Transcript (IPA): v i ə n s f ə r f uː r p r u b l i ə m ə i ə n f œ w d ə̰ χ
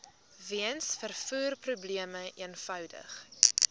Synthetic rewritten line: v i ə n s f ə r f uː r p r u b l i ə m ə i ə n f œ w d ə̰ χ